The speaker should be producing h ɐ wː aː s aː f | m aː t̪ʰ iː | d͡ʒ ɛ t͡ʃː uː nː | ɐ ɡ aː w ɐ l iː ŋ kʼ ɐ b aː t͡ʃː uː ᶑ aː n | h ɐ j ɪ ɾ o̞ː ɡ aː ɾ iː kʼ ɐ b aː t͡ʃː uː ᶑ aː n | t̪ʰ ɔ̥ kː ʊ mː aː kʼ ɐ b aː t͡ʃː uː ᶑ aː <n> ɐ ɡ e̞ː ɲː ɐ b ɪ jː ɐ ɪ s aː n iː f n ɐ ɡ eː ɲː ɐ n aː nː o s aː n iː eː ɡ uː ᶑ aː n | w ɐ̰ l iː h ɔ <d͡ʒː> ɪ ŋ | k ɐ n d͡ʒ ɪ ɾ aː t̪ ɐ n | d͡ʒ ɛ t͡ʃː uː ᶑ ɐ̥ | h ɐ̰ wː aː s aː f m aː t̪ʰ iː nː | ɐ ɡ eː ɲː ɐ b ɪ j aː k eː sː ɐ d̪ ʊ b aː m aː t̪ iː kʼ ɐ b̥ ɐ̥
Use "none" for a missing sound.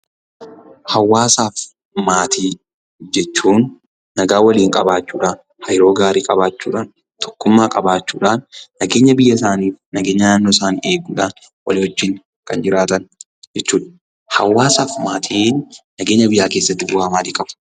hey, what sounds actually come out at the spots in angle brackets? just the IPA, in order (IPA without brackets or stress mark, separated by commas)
nː, d͡ʒː